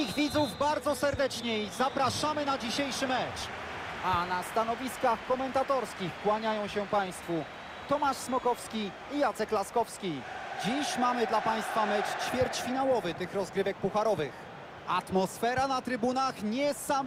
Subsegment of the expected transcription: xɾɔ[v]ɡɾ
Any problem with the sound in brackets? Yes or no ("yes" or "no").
yes